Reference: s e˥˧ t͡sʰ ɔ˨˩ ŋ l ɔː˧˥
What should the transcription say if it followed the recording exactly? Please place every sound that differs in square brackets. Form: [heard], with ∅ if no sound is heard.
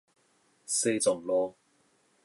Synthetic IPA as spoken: s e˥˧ [t͡s] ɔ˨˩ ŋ l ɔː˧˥